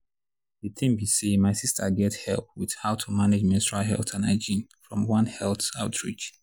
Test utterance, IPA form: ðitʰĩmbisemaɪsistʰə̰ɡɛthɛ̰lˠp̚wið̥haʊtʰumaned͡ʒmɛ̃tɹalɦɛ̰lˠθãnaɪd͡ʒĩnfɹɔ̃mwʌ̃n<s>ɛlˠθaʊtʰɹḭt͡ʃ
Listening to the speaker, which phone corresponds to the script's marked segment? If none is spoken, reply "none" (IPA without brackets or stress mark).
h